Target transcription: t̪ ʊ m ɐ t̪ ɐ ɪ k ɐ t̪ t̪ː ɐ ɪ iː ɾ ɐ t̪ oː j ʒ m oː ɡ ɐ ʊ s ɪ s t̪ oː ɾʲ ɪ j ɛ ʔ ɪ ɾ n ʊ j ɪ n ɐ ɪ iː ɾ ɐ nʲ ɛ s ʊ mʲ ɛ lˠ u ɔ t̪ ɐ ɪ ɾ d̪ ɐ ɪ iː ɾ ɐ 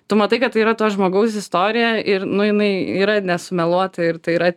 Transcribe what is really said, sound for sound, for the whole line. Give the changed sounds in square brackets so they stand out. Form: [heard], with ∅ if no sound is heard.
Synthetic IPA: t̪ ʊ m ɐ t̪ ɐ ɪ k ɐ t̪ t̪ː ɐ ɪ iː ɾ ɐ t̪ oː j ʒ m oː ɡ ɐ ʊ s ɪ s t̪ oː ɾʲ ɪ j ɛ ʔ ɪ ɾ n ʊ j ɪ n ɐ ɪ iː ɾ ɐ nʲ ɛ s ʊ mʲ ɛ lˠ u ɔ t̪ ɐ ɪ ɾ [t̪] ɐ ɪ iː ɾ ɐ